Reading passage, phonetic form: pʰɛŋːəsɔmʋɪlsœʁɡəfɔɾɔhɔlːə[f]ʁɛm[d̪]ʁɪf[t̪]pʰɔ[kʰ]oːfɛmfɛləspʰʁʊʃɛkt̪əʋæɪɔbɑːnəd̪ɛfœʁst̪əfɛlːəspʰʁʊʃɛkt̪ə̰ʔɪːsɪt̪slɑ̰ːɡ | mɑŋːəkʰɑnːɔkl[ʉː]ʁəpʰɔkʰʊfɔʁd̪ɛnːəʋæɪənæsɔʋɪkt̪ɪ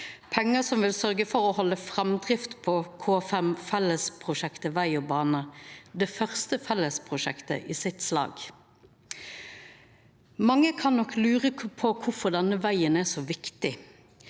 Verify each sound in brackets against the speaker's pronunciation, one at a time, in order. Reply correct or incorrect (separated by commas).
correct, correct, correct, correct, correct